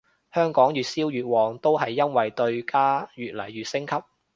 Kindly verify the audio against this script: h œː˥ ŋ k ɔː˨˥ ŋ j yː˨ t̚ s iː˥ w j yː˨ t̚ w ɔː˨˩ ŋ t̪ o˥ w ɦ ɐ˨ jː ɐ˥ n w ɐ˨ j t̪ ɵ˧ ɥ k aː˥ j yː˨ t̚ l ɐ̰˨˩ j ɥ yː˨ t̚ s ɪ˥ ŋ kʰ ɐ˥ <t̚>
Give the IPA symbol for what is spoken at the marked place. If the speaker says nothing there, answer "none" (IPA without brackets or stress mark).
p̚